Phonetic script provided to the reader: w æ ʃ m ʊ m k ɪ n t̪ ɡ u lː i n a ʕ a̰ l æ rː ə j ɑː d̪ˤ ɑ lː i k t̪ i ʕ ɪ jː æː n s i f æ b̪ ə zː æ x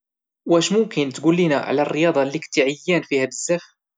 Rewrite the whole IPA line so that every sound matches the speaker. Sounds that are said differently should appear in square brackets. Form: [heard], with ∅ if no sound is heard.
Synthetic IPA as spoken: w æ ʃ m ʊ m k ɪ n t̪ ɡ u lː i n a ʕ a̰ l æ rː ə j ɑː d̪ˤ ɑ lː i k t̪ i ʕ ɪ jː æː n [f] i [h] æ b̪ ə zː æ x